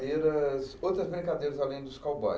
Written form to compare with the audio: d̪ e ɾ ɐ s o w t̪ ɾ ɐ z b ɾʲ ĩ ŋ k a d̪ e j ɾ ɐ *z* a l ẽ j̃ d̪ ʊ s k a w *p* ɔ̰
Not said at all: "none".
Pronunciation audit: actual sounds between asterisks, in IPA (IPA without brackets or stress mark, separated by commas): z, b